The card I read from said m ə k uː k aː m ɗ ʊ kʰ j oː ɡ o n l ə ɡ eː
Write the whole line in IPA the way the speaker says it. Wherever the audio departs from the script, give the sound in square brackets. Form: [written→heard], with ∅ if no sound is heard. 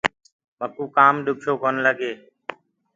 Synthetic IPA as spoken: m ə k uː k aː m ɗ ʊ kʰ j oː [ɡ→k] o n l ə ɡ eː

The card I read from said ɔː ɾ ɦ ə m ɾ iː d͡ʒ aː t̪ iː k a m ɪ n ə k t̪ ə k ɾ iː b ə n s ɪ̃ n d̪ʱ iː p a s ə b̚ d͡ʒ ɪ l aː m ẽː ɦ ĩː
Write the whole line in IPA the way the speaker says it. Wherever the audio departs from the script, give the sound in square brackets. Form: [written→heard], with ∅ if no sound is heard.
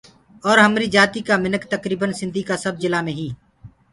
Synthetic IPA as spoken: ɔː ɾ ɦ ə m ɾ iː d͡ʒ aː t̪ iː k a m ɪ n ə k t̪ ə k ɾ iː b ə n s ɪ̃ n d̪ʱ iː [p→k] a s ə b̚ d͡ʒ ɪ l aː m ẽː ɦ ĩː

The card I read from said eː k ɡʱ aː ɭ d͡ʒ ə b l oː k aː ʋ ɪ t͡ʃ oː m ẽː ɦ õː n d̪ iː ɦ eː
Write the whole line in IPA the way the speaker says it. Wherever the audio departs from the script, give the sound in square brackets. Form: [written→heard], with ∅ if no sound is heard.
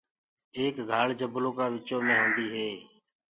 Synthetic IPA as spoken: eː k ɡʱ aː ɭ d͡ʒ ə b l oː k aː ʋ ɪ t͡ʃ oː m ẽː ɦ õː n d̪ iː ɦ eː

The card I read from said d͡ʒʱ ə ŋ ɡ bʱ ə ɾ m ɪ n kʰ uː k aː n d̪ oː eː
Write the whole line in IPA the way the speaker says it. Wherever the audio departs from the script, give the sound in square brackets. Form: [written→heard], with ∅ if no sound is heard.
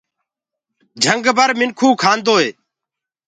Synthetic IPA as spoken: d͡ʒʱ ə ŋ ɡ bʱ ə ɾ m ɪ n kʰ uː [k→kʰ] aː n d̪ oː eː

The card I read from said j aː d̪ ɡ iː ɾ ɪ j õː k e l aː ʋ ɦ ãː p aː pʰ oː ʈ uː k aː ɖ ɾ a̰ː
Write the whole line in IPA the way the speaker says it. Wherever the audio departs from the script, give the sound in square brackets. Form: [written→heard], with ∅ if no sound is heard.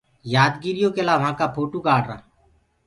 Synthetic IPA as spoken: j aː d̪ ɡ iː ɾ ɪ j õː k e l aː ʋ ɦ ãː [p→k] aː pʰ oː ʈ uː k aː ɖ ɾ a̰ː

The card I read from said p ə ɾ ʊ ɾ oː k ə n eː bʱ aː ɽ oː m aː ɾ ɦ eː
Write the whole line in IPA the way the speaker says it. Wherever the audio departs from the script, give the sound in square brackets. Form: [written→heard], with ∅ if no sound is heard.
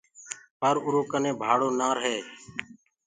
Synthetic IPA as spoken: p ə ɾ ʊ ɾ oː k ə n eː bʱ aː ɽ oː [m→n] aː ɾ ɦ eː

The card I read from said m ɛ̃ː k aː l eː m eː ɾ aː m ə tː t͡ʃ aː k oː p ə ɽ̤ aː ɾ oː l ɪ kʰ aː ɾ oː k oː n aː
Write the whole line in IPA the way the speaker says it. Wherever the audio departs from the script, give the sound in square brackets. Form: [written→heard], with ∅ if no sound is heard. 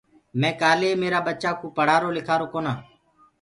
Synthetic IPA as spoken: m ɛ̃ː k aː l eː m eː ɾ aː [m→b] ə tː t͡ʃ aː k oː p ə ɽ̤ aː ɾ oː l ɪ kʰ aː ɾ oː k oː n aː

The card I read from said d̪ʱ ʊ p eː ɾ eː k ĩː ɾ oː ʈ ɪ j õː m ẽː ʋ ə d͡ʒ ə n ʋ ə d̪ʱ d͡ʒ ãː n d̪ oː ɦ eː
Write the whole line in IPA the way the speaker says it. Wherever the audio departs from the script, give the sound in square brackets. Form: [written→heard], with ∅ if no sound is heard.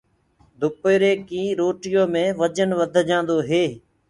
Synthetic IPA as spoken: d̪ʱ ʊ p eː ɾ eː k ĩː ɾ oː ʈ ɪ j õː m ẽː ʋ ə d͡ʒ ə n ʋ ə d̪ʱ d͡ʒ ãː n d̪ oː ɦ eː

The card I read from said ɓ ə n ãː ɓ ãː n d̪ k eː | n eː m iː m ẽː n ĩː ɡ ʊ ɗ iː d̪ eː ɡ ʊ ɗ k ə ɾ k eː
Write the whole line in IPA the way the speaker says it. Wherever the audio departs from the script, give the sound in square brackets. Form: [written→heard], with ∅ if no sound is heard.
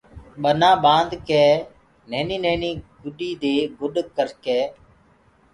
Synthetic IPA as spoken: ɓ ə n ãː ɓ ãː n d̪ k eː | n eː [m→n] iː [m→n] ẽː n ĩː ɡ ʊ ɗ iː d̪ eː ɡ ʊ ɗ k ə ɾ k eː

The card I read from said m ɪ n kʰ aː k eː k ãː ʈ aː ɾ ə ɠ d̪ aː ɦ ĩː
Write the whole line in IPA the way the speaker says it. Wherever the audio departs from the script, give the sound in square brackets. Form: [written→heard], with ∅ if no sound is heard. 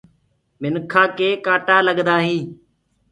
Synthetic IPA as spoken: m ɪ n kʰ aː k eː k [ãː→aː] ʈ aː [ɾ→l] ə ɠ d̪ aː ɦ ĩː

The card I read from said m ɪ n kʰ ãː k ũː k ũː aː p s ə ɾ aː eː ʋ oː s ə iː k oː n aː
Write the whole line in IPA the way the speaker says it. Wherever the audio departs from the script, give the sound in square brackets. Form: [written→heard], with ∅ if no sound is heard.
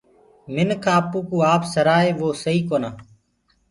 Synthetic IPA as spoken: m ɪ n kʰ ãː [k→p] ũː k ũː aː p s ə ɾ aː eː ʋ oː s ə iː k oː n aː

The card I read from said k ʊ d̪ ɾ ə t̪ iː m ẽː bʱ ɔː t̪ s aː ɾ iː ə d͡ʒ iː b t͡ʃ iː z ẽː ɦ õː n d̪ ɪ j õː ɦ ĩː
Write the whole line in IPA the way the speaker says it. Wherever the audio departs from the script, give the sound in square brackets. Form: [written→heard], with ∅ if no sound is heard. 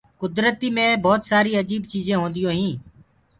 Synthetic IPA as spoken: k ʊ d̪ ɾ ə t̪ iː m ẽː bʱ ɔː t̪ s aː ɾ iː ə d͡ʒ iː b t͡ʃ iː z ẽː ɦ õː n d̪ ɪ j õː ɦ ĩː

